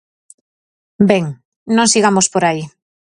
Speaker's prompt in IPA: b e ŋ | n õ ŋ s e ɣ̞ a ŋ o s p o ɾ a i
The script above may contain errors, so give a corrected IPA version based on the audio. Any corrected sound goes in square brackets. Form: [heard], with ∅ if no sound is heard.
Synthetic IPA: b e ŋ | n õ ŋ s [i] ɣ̞ a [m] o s p o ɾ a i